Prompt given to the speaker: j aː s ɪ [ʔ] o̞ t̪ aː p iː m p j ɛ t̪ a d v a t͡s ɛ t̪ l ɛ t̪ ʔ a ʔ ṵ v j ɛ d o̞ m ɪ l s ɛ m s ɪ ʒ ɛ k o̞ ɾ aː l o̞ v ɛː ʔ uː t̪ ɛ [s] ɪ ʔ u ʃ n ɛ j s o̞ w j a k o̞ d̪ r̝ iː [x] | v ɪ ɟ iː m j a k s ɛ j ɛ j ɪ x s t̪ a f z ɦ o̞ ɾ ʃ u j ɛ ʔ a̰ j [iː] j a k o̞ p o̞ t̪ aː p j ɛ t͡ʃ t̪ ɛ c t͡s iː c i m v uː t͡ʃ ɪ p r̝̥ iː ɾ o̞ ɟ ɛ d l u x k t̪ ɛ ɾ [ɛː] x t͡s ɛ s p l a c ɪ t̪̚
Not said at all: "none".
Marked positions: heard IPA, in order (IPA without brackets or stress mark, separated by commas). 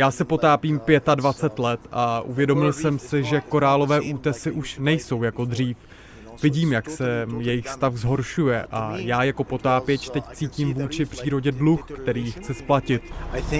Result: p, s, f, aː, iː